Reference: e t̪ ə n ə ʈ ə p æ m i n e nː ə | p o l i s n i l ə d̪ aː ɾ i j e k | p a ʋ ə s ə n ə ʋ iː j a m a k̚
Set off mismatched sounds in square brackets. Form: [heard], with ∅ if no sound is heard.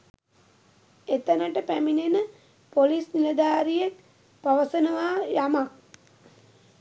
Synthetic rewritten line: e t̪ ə n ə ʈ ə p æ m i n e [n] ə | p o l i s n i l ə d̪ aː ɾ i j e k | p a ʋ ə s ə n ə ʋ [aː] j a m a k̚